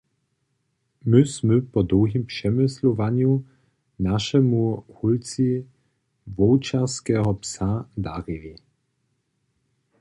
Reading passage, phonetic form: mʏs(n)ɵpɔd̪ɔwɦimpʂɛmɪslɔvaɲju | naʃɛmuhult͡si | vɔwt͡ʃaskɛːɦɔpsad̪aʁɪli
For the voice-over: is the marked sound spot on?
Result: no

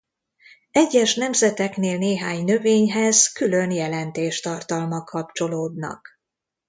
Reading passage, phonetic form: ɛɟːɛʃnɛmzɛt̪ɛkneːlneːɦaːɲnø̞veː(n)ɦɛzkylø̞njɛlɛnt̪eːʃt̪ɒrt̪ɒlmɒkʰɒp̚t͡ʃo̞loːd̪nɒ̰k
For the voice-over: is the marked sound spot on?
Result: no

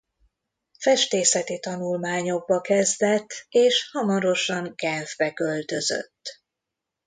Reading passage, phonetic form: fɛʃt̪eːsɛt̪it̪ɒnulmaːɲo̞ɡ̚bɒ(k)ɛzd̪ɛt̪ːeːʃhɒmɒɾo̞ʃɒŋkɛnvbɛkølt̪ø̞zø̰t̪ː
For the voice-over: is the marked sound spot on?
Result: yes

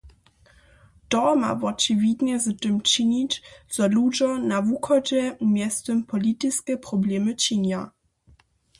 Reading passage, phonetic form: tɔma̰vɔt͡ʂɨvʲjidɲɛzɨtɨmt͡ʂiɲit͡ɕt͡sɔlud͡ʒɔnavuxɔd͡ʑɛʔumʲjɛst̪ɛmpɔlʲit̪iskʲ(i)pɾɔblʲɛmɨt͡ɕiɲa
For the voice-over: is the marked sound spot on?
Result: no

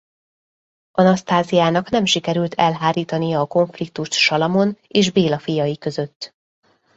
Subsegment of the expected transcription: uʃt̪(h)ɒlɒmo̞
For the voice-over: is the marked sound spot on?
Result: no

